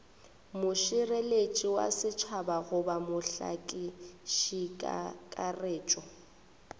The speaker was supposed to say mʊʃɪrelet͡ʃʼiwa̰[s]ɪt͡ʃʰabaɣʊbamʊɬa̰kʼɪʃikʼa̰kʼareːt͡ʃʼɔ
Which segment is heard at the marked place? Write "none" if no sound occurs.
s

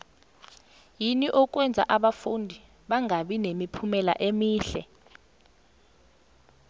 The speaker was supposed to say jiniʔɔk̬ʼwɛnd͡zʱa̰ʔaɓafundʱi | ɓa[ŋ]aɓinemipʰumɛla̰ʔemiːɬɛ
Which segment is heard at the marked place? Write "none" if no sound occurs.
ŋ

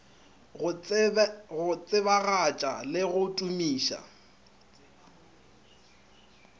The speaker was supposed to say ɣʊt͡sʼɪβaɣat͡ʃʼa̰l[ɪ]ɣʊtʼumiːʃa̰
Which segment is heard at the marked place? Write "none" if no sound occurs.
ɪ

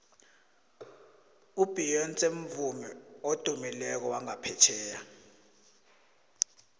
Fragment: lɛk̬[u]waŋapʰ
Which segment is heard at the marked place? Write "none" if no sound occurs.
ɔ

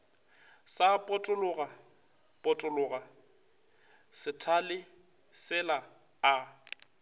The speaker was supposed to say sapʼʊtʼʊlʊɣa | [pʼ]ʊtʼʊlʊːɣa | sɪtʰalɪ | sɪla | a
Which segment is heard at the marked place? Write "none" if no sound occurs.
pʼ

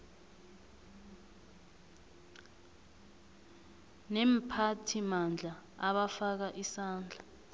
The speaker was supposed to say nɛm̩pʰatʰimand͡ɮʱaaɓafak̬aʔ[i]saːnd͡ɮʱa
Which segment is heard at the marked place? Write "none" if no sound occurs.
i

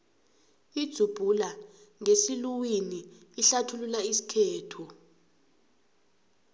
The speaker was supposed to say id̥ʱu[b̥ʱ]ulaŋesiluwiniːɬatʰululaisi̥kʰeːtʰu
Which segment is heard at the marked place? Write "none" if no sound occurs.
b̥ʱ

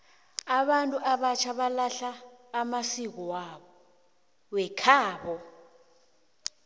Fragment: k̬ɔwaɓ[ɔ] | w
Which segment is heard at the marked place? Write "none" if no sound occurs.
ɔ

